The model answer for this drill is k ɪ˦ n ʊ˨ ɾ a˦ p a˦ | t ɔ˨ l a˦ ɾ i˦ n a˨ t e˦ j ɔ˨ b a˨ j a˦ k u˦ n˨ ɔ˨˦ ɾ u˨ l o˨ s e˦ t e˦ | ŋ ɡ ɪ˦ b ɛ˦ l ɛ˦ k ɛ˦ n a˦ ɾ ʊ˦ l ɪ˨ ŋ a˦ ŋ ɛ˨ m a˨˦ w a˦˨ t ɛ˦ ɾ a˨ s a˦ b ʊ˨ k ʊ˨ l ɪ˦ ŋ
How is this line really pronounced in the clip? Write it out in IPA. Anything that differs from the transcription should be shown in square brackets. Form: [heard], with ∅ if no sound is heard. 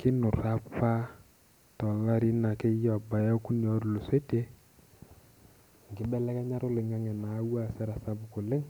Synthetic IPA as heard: k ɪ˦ n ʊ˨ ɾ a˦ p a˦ | t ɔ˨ l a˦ ɾ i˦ n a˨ [k] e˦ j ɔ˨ b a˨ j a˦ k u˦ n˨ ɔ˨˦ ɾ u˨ l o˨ s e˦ t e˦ | ŋ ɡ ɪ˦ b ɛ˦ l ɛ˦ k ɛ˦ [ɲ] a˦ ɾ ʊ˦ l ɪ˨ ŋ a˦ ŋ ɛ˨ [n] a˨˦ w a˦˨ [s] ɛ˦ ɾ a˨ s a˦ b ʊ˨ k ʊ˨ l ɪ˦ ŋ

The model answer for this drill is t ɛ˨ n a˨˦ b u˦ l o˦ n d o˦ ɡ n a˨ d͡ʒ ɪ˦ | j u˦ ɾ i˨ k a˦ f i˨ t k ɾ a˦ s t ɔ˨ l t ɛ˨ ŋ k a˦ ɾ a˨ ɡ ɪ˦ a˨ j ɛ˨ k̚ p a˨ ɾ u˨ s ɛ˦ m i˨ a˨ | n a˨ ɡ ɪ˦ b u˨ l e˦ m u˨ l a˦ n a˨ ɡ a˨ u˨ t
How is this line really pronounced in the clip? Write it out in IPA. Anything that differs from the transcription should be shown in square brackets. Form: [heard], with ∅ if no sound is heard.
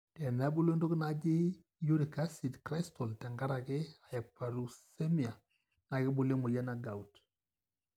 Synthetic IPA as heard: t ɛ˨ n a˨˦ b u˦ l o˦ n d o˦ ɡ n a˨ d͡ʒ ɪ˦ | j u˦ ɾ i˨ k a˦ [s] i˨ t k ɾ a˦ s t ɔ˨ l t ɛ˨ ŋ [ɡ] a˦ ɾ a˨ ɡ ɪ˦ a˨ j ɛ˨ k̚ p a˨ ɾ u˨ s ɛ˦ m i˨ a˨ | n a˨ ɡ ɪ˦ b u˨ l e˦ m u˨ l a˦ n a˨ ɡ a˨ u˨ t

